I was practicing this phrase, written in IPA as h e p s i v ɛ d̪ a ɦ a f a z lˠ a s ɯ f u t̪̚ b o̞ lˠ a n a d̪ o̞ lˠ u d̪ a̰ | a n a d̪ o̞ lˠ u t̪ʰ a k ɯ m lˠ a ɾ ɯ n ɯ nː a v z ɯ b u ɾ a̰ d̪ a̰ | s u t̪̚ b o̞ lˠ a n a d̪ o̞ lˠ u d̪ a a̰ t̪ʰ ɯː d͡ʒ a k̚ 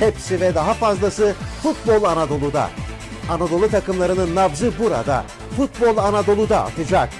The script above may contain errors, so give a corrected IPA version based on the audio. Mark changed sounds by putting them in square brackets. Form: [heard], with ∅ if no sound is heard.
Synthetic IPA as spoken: h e p s i v ɛ d̪ a ɦ a f a z lˠ a s ɯ f u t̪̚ b o̞ lˠ a n a d̪ o̞ lˠ u d̪ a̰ | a n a d̪ o̞ lˠ u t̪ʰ a k ɯ m lˠ a ɾ ɯ n ɯ nː a v z ɯ b u ɾ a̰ d̪ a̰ | [f] u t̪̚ b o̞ lˠ a n a d̪ o̞ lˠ u d̪ a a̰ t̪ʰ [ɯ] d͡ʒ a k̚